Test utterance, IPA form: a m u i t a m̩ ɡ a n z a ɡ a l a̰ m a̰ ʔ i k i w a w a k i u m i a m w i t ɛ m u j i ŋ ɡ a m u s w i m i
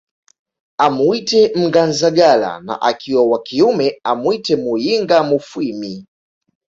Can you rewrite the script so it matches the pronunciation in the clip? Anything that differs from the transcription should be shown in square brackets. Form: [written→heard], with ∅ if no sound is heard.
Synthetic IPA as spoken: a m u i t [a→ɛ] m̩ ɡ a n z a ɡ a l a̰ [m→n] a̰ ʔ [i→a] k i w a w a k i u m [i→ɛ] a m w i t ɛ m u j i ŋ ɡ a m u [s→f] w i m i